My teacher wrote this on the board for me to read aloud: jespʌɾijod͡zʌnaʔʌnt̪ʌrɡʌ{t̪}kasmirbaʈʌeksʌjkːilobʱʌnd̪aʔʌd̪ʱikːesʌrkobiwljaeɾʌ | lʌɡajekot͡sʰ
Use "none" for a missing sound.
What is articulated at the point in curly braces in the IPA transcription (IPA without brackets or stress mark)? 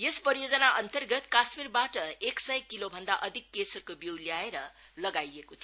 t̪